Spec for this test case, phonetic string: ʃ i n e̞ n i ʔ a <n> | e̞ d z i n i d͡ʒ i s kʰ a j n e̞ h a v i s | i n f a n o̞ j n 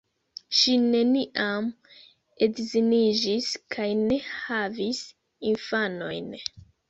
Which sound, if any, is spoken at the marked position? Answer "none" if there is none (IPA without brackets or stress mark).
m